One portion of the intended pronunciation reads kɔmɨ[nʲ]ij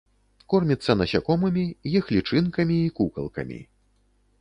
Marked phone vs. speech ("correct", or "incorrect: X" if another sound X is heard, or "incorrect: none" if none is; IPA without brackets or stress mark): incorrect: mʲ